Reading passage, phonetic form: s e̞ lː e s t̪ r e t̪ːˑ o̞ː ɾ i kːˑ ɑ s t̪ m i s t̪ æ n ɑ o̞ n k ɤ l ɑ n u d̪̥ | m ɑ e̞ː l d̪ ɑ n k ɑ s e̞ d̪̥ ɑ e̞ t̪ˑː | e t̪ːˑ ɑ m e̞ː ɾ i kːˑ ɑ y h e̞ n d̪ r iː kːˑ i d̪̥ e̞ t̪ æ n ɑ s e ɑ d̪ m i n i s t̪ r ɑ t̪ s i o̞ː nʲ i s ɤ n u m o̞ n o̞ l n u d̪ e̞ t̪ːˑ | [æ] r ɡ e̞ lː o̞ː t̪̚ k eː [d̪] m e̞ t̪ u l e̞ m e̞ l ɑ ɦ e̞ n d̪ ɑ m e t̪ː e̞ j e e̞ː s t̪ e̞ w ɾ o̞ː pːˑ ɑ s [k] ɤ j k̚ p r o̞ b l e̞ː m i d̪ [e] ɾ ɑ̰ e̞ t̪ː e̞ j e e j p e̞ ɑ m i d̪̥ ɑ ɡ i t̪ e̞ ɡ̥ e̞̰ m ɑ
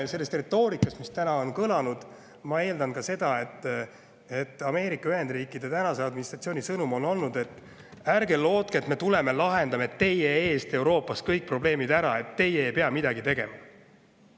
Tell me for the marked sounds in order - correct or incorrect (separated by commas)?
correct, incorrect, correct, incorrect